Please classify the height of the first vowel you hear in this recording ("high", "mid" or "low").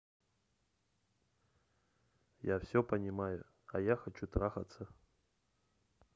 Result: low